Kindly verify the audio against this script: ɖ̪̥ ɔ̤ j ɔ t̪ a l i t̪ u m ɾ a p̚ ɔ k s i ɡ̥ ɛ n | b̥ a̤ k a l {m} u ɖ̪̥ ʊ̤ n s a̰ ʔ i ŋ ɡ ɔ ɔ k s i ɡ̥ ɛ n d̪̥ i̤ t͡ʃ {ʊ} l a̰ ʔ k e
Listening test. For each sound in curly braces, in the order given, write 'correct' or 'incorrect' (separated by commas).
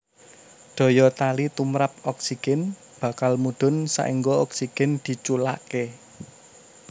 correct, incorrect